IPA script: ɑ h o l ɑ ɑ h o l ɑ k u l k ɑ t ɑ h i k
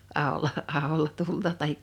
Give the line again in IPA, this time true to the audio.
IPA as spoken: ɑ h o l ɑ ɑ h o l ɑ t u l t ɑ t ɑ h i k